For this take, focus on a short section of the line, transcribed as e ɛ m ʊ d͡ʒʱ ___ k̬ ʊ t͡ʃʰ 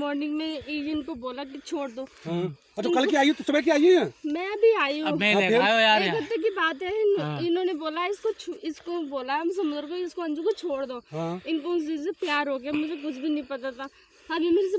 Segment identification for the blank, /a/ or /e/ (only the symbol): e